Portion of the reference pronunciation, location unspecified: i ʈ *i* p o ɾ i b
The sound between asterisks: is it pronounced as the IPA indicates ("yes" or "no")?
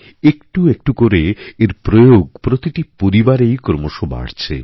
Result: yes